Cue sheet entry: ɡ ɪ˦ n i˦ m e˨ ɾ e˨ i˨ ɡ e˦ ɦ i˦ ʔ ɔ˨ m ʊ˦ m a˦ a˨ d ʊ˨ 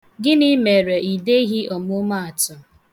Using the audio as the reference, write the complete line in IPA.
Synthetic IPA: ɡ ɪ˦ n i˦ m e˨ ɾ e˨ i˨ d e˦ ɦ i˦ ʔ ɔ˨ m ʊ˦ m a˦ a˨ t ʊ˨